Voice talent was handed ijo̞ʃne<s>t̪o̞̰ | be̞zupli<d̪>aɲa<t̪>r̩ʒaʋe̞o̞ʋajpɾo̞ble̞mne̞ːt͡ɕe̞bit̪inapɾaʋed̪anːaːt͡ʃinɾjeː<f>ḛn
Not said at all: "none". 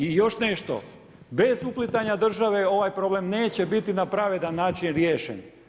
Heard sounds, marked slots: ʃ, t̪, d̪, ʃ

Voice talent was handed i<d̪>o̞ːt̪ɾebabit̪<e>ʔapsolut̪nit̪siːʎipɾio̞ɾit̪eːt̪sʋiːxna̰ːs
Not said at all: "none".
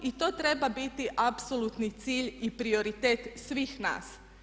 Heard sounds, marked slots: t̪, i

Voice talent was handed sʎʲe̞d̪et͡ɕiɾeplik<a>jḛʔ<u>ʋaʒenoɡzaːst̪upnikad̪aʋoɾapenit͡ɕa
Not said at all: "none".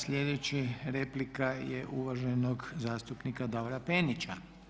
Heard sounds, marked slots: a, u

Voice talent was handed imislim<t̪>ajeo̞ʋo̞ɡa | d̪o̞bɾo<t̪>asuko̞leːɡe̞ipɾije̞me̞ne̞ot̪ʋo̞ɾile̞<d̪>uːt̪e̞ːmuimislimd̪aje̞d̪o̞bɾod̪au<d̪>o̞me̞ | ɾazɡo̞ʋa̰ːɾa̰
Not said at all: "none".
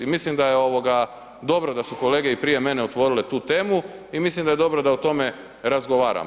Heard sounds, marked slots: d̪, d̪, t̪, t̪

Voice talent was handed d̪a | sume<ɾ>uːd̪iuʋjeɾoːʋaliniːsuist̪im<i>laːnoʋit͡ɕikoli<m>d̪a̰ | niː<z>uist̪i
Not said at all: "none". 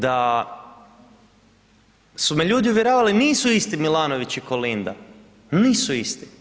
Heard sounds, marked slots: ʎ, i, n, s

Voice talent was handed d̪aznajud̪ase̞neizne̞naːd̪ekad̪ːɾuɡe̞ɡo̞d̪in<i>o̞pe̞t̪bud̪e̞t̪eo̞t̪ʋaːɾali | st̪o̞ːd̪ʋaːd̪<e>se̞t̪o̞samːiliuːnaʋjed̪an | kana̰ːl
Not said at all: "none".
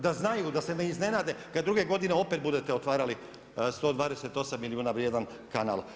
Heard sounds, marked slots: e, e

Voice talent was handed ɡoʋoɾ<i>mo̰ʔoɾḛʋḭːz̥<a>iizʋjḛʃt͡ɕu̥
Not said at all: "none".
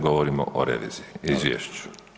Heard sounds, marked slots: i, i

